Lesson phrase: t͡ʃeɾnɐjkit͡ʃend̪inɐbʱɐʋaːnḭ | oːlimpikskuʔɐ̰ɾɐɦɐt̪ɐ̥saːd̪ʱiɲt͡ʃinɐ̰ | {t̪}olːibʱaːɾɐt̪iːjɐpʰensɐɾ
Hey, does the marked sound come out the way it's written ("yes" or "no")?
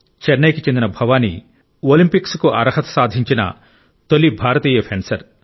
yes